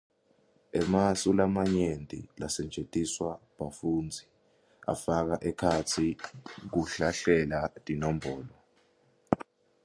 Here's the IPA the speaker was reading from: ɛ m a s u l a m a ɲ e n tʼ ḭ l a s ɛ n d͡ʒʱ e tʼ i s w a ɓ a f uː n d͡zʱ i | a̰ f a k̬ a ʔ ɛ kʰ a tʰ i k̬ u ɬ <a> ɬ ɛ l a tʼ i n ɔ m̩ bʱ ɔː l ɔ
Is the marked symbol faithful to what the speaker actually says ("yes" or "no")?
yes